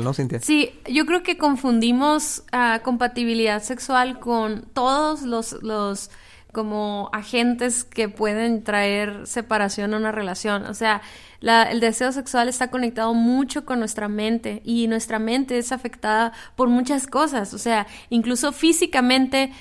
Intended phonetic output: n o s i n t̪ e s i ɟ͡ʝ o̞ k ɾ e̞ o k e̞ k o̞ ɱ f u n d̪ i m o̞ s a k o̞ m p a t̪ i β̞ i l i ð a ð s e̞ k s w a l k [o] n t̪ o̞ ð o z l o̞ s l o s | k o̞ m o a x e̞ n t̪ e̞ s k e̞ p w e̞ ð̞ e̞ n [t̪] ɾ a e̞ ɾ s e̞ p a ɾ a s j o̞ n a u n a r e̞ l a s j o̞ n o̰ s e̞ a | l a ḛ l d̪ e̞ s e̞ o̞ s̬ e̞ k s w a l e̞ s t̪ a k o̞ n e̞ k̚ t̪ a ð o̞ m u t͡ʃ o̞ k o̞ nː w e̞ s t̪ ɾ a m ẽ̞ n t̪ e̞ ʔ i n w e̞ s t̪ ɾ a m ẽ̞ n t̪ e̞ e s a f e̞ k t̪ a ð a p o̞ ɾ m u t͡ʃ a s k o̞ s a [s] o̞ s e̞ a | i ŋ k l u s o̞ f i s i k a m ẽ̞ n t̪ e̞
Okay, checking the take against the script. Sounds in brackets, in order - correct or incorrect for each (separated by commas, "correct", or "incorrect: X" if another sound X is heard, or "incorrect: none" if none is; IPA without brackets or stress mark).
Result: correct, correct, correct